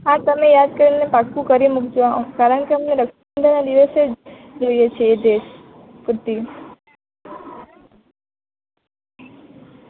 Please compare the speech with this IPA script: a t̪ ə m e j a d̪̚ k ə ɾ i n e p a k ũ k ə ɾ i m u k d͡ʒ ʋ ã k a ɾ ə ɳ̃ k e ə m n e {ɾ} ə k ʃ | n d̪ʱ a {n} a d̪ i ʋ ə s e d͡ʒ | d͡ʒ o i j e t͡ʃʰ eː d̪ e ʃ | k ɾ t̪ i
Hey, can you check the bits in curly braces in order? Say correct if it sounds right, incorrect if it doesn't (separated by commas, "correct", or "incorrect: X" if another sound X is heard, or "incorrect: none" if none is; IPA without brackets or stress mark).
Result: correct, correct